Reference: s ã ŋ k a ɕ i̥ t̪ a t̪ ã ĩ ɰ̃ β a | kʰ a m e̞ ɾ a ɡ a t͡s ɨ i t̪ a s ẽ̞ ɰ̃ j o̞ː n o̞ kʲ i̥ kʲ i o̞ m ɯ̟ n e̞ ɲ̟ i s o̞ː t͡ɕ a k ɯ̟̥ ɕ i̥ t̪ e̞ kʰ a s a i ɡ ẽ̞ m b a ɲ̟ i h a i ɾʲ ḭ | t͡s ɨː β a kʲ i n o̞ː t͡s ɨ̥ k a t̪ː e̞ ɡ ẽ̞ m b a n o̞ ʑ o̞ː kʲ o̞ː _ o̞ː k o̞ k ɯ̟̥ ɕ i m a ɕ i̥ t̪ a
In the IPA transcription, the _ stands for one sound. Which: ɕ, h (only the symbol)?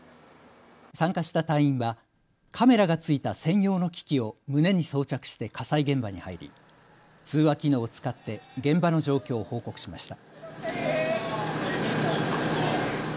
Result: h